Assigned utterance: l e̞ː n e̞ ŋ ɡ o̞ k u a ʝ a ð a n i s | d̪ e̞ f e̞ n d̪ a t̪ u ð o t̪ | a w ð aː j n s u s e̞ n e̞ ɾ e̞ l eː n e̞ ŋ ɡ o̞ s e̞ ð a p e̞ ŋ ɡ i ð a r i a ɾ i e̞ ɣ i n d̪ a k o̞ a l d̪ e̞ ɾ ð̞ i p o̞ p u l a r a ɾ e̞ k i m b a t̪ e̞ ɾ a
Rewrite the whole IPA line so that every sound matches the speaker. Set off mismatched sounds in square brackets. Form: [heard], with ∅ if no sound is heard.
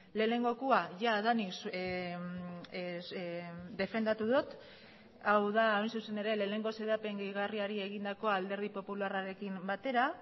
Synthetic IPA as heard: l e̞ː n e̞ ŋ ɡ o̞ k u a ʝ a ð a n i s | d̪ e̞ f e̞ n d̪ a t̪ u ð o t̪ | a w ð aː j n s u s e̞ n e̞ ɾ e̞ l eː n e̞ ŋ ɡ o̞ s e̞ ð a p e̞ ŋ ɡ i [ɣ] a r i a ɾ i e̞ ɣ i n d̪ a k o̞ a l d̪ e̞ ɾ ð̞ i p o̞ p u l a r a ɾ e̞ k i m b a t̪ e̞ ɾ a